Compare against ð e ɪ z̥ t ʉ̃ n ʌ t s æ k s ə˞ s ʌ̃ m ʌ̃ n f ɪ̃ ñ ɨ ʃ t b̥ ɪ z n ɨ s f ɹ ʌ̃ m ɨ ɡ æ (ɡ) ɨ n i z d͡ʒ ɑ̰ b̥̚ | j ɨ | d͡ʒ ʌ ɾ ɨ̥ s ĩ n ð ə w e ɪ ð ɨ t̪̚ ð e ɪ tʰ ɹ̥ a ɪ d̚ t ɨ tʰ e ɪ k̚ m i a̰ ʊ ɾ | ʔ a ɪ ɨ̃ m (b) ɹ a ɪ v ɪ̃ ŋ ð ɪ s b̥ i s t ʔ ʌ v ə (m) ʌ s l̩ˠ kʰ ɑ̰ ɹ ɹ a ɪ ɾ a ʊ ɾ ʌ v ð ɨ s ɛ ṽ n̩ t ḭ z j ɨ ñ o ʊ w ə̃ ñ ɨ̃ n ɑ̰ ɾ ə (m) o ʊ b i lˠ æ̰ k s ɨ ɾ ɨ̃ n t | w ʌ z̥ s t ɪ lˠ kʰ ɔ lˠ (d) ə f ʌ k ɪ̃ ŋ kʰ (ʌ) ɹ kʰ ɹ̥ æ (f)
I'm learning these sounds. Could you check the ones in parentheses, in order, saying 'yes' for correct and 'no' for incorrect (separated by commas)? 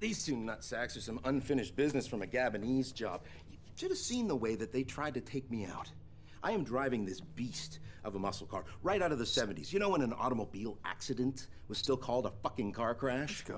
no, no, yes, yes, yes, no, no